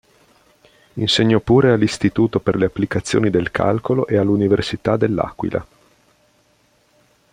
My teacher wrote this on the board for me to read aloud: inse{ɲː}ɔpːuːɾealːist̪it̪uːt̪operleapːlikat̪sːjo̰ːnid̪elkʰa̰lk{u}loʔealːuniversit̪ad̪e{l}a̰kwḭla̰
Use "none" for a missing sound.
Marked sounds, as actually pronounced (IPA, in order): ɲː, o, lː

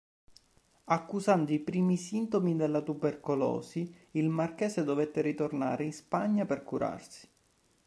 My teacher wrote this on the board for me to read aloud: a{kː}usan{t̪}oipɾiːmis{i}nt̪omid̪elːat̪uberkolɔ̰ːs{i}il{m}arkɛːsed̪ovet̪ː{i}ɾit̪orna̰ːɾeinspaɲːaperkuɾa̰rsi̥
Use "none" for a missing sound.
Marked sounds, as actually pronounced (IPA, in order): kː, d̪, i, i, m, e

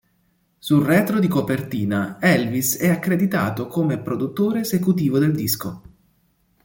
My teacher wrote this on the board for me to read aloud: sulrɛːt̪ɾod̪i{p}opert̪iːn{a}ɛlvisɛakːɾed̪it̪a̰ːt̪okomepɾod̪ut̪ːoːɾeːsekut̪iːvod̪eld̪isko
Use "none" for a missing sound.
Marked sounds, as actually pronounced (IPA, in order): k, a

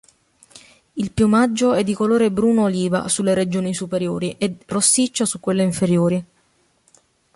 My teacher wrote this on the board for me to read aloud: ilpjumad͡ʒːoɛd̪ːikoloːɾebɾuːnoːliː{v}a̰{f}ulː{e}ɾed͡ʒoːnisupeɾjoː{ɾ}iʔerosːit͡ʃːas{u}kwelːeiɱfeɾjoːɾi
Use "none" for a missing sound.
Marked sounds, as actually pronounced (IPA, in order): v, s, e, ɾ, u

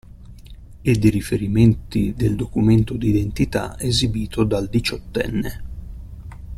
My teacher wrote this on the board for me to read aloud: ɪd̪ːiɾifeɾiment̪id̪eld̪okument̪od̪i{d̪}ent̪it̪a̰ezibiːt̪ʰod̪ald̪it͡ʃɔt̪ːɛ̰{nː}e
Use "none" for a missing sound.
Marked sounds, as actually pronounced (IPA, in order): d̪, nː

